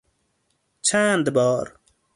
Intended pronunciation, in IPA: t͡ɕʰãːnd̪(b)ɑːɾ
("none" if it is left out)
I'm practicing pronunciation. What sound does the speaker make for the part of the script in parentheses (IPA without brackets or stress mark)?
b